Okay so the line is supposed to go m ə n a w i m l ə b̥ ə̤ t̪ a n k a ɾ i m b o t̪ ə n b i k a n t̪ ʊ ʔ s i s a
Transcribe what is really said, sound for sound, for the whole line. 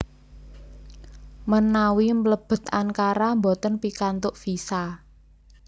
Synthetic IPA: m ə n a w i m l ə b̥ ə̤ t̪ a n k a ɾ a m b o t̪ ə n p i k a n t̪ ʊ ʔ f i s a